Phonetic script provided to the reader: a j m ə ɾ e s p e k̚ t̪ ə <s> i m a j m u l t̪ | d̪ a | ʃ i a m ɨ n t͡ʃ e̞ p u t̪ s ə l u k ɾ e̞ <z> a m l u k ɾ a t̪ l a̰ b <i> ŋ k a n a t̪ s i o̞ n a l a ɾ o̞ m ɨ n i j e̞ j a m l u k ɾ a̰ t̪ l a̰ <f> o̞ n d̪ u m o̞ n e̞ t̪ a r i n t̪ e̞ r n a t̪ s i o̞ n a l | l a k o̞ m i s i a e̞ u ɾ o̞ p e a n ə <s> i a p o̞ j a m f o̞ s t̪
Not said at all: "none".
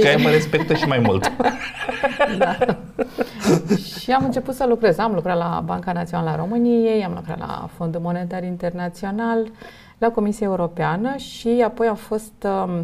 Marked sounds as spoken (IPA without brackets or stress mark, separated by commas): ʃ, z, a, f, ʃ